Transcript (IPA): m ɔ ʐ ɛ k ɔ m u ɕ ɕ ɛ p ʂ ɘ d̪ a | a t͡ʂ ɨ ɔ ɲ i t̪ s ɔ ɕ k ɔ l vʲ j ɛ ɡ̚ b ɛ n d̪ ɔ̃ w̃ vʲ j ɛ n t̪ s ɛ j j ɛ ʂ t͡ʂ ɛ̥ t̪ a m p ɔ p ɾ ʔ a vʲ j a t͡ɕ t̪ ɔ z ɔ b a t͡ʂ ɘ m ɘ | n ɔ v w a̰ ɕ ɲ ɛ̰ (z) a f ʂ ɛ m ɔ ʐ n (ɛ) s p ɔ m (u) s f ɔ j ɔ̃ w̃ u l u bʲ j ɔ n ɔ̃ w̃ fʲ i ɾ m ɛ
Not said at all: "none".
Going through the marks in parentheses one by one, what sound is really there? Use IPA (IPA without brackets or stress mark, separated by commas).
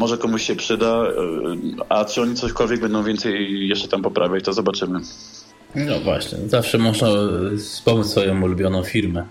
z, a, u